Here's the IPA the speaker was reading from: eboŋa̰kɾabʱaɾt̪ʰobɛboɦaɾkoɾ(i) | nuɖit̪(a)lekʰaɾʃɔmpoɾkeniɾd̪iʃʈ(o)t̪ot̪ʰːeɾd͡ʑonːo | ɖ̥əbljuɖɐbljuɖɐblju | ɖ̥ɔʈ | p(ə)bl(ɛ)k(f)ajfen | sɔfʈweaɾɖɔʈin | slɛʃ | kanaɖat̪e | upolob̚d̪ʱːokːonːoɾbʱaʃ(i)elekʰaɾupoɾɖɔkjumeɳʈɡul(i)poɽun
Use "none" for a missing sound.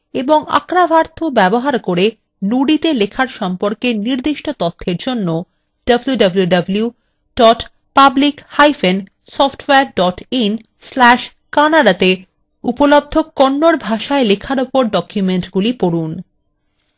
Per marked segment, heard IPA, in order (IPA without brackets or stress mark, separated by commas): e, e, o, a, i, h, a, i